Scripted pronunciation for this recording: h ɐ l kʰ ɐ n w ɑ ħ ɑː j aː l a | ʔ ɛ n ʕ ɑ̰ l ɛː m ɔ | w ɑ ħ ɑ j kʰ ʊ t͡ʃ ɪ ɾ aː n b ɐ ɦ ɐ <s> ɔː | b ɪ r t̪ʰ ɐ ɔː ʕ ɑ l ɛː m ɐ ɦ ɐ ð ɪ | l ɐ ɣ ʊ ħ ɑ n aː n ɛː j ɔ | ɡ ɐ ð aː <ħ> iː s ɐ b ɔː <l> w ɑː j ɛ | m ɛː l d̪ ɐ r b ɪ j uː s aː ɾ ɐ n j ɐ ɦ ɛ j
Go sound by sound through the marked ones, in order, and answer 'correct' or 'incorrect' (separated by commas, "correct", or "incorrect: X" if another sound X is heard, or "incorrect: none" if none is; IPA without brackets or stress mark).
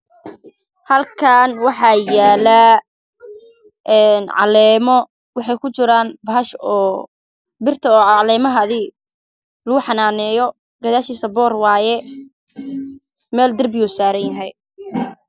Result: incorrect: ʃ, incorrect: ʃ, incorrect: r